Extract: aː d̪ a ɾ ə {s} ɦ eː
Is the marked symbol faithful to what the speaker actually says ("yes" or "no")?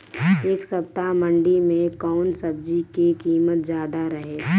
no